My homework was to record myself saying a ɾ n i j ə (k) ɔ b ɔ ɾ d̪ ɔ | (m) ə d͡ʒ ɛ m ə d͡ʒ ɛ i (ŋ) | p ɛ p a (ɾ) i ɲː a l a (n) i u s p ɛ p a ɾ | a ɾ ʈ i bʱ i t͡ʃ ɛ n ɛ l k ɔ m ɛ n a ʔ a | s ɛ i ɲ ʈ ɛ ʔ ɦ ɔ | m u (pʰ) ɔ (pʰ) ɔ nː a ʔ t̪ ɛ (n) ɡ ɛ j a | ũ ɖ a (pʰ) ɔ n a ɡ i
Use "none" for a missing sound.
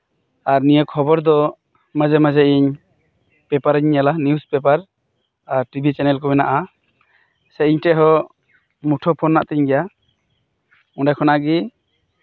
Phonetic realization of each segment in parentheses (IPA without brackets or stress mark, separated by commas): kʰ, m, ɲ, ɾ, n, ʈʰ, pʰ, ɲ, kʰ